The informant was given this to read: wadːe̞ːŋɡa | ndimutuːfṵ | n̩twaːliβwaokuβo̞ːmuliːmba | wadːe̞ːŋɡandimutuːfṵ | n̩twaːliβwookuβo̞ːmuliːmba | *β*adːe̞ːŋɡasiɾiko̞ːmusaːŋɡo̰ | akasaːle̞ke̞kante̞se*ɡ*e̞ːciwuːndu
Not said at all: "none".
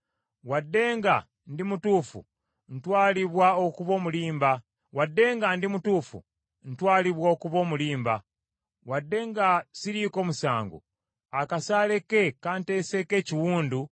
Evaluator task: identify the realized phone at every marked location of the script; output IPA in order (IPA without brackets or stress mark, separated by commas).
w, k